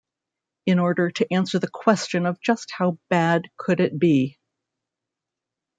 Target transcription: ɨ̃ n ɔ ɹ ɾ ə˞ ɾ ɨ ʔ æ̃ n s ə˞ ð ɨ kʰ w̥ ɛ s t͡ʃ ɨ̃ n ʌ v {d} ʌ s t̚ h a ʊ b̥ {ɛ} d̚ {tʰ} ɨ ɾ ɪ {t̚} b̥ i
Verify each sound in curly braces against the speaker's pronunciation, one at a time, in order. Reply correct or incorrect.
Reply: incorrect: d͡ʒ, incorrect: æ, incorrect: kʰ, correct

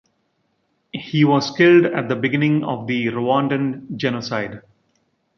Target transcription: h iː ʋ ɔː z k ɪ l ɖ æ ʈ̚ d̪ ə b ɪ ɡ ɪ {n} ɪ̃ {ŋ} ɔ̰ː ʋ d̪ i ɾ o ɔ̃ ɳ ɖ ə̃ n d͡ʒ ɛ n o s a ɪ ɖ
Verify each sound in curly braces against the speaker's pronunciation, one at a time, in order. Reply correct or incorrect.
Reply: correct, correct

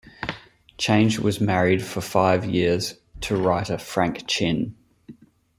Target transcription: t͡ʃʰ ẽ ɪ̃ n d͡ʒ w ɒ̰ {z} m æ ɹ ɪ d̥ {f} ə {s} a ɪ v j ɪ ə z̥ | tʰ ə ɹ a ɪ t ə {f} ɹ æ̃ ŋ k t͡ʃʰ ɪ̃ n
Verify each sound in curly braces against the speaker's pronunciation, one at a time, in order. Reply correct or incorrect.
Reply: correct, correct, incorrect: f, correct

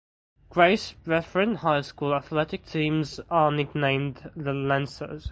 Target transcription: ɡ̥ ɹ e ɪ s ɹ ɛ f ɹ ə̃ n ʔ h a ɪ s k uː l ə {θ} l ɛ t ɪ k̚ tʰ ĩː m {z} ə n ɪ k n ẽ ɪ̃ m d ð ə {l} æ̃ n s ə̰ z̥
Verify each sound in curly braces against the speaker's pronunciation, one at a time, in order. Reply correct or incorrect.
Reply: correct, correct, correct

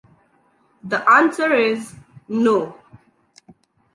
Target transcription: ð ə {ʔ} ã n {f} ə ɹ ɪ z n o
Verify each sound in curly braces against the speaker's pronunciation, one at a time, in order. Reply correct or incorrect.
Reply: correct, incorrect: s

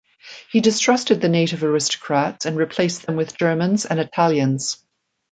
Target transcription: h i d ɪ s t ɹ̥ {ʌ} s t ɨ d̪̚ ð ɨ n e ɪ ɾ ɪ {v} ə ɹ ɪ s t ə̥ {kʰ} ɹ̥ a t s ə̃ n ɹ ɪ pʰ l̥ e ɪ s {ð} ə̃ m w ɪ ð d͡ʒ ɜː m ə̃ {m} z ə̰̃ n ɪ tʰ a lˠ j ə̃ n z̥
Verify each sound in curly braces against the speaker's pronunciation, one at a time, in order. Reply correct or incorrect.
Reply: correct, correct, correct, correct, incorrect: n

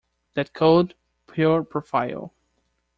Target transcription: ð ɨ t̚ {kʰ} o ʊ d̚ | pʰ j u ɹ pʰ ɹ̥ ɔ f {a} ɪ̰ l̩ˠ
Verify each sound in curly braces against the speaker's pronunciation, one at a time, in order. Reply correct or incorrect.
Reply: correct, correct

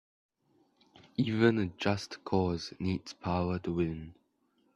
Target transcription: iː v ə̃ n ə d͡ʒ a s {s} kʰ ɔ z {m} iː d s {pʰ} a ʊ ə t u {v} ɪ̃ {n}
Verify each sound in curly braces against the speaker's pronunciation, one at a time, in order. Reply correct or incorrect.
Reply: incorrect: t, incorrect: n, correct, incorrect: w, correct

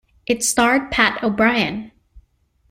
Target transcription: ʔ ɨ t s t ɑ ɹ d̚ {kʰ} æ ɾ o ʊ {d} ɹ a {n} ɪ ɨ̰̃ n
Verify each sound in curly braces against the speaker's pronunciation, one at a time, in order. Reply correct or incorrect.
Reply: incorrect: pʰ, incorrect: b, incorrect: none

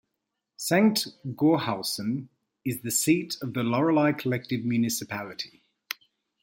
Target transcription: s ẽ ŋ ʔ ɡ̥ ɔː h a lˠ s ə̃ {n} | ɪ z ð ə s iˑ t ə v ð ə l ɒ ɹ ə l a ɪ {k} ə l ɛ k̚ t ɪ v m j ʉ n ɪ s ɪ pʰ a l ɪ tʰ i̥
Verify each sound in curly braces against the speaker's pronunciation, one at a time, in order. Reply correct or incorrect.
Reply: correct, incorrect: kʰ

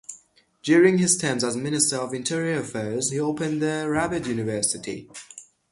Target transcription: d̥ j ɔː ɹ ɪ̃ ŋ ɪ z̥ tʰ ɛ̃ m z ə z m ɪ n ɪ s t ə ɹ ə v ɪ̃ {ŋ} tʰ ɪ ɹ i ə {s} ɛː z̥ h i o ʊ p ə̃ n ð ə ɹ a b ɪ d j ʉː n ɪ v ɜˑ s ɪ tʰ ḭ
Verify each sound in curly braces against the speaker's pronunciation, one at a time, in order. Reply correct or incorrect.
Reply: incorrect: n, incorrect: f

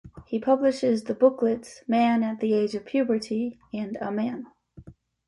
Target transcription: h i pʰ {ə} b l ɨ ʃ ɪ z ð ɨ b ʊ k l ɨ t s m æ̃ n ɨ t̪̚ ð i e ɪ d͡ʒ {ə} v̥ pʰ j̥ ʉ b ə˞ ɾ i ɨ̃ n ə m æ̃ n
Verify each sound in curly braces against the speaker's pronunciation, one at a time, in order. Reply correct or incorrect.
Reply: incorrect: ʌ, incorrect: ʌ

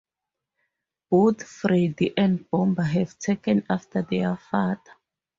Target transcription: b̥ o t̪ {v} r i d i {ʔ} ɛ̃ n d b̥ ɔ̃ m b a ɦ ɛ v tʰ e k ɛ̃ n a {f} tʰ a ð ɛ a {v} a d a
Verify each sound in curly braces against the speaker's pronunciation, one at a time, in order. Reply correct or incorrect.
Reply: incorrect: f, correct, correct, incorrect: f

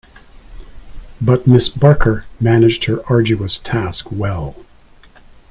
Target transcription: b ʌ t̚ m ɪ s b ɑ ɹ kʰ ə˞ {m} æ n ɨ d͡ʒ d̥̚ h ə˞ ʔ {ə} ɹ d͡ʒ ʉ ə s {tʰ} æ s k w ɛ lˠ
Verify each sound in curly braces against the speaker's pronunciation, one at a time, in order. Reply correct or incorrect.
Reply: correct, incorrect: ɑ, correct

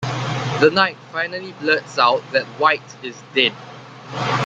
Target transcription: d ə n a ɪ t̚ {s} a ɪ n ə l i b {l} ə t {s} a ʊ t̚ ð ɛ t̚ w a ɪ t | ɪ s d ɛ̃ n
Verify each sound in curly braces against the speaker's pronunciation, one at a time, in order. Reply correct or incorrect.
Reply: incorrect: f, correct, correct

